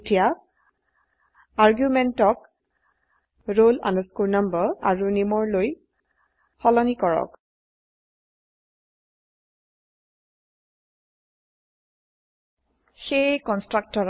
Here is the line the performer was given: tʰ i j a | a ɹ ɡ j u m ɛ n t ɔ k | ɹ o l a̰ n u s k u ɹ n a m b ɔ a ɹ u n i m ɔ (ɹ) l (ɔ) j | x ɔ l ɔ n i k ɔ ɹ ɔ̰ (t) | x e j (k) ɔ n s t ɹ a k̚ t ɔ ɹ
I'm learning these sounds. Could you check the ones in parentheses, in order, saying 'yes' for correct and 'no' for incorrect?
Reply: yes, no, no, yes

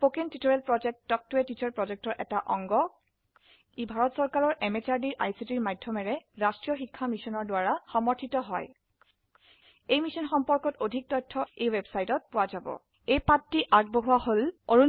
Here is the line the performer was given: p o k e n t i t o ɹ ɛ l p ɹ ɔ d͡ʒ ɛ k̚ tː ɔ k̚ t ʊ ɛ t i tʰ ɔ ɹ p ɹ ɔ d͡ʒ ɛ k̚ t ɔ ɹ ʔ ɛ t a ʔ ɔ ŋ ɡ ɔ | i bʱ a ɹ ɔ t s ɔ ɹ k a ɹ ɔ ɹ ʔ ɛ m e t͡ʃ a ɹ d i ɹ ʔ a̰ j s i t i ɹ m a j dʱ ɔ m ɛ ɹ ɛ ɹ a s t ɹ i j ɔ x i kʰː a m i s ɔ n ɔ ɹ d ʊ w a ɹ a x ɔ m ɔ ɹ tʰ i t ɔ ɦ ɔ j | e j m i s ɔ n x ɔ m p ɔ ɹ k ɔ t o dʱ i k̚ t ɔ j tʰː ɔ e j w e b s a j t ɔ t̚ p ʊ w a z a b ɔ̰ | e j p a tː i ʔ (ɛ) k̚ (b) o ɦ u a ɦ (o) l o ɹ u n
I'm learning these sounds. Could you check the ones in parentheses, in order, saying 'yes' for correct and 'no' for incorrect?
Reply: no, yes, yes

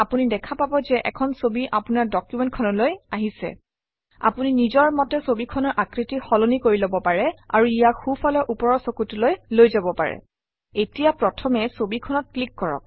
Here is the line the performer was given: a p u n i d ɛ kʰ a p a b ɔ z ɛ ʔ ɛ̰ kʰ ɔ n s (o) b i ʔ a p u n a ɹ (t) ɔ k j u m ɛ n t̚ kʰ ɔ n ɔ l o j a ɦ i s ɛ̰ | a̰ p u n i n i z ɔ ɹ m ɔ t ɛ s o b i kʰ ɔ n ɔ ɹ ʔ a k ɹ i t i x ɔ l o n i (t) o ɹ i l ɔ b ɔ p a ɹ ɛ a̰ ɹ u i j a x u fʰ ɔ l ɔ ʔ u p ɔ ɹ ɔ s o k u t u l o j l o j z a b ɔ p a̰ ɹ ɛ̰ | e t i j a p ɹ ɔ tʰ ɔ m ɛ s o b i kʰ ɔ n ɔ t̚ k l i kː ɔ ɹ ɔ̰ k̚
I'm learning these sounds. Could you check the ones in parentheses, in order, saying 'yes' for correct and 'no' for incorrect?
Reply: yes, no, no

